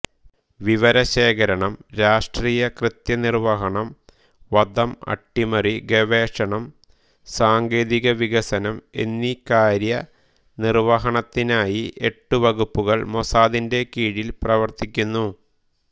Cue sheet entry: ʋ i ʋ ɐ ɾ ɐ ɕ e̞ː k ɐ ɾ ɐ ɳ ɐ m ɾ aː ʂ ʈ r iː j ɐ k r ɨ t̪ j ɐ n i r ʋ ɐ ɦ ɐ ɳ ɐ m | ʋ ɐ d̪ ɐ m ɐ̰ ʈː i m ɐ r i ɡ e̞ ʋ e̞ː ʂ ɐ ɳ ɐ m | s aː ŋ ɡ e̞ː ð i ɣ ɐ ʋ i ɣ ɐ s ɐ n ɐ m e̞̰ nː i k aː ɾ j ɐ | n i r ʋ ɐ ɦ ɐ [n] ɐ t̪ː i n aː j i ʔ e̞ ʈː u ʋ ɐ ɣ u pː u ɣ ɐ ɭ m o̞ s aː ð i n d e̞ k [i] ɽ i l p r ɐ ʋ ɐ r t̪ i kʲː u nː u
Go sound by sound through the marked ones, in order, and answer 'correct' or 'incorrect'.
incorrect: ɳ, incorrect: iː

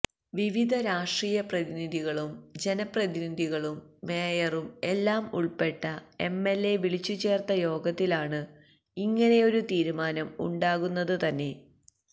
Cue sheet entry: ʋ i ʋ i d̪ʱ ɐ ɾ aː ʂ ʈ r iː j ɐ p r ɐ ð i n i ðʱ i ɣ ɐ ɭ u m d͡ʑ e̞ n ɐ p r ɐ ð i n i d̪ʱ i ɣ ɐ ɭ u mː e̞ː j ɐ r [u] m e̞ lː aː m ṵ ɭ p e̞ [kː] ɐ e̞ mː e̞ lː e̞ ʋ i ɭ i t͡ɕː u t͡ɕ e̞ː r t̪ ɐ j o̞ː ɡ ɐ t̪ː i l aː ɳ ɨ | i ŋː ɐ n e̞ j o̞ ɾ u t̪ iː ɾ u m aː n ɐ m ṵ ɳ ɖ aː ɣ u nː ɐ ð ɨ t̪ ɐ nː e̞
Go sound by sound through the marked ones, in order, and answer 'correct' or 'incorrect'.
correct, incorrect: ʈː

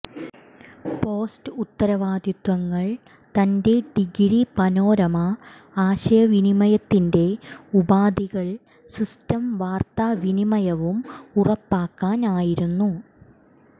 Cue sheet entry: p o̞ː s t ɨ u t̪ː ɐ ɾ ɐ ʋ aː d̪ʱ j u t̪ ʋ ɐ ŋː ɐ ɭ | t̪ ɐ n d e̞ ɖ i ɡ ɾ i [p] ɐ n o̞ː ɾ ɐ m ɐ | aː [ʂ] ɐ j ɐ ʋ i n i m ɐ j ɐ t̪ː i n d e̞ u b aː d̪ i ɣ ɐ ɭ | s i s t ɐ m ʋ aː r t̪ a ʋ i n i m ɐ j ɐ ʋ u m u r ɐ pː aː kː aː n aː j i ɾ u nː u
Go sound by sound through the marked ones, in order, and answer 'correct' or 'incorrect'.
correct, incorrect: ɕ

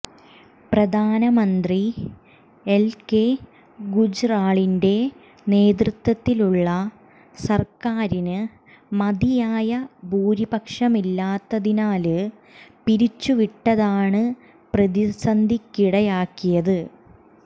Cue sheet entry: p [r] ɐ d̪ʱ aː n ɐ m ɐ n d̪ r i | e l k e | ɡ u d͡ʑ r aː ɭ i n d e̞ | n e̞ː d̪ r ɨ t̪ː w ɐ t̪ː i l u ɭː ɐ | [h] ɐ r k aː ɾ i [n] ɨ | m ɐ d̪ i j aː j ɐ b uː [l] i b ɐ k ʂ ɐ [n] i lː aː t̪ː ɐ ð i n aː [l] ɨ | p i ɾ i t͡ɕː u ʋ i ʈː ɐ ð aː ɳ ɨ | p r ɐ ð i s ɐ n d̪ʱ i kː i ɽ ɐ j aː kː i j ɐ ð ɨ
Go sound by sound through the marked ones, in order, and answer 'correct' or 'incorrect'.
correct, incorrect: s, correct, incorrect: ɾ, incorrect: m, correct

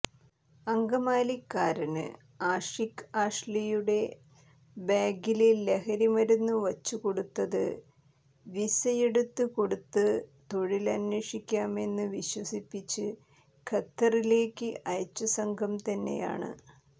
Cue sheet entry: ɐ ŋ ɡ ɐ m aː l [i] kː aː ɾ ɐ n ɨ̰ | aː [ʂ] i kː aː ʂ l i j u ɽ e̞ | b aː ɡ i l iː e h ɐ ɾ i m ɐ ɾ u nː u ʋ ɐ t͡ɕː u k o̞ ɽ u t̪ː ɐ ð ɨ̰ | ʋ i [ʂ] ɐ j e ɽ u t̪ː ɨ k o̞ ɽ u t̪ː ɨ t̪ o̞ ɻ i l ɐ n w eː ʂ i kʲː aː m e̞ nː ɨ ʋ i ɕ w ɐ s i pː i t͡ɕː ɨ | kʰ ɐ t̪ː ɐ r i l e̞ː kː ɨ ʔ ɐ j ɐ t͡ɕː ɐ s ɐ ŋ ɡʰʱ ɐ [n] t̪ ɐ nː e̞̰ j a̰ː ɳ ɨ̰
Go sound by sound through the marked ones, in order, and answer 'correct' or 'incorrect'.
correct, correct, incorrect: s, incorrect: m

